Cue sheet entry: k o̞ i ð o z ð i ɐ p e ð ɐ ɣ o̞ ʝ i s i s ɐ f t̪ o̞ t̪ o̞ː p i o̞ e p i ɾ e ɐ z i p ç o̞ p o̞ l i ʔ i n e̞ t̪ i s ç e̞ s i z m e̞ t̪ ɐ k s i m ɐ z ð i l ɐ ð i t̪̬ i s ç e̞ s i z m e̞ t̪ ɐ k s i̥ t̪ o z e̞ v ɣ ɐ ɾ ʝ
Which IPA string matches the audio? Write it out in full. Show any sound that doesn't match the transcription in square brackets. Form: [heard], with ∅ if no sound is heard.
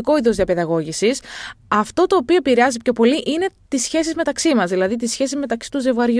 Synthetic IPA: k o̞ i ð o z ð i ɐ p e ð ɐ ɣ o̞ ʝ i s i s ɐ f t̪ o̞ t̪ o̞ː p i o̞ e p i ɾ e ɐ z i p ç o̞ p o̞ l i ʔ i n e̞ t̪ i s ç e̞ s i z m e̞ t̪ ɐ k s i m ɐ z ð i l ɐ ð i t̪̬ i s ç e̞ s i z m e̞ t̪ ɐ k s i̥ t̪ [u] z e̞ v ɣ ɐ ɾ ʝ